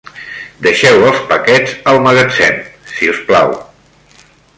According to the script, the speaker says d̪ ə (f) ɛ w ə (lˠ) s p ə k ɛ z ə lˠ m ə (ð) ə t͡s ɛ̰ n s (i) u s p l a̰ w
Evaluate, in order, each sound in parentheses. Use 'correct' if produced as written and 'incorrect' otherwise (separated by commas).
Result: incorrect, correct, incorrect, correct